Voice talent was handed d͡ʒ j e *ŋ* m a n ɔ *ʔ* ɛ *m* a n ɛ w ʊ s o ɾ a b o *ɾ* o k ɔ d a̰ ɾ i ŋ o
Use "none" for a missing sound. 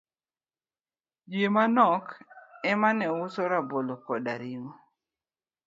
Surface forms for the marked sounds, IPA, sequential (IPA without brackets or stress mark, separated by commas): none, k, m, l